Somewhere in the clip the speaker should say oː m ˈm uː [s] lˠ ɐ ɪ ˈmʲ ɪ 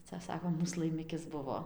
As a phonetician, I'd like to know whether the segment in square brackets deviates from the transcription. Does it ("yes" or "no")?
no